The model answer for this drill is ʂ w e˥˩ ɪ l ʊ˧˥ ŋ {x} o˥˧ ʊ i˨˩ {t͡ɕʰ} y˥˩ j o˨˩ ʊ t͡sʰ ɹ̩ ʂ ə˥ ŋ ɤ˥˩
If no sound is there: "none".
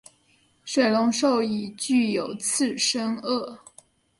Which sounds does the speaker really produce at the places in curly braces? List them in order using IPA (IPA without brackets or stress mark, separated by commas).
ʂ, t͡ɕ